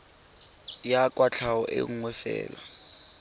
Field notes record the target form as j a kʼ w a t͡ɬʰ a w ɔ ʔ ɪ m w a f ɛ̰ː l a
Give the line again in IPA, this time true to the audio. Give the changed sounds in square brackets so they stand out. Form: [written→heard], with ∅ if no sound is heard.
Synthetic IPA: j a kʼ w a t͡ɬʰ a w ɔ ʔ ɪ [m→ŋ] w [a→ɛ] f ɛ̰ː l a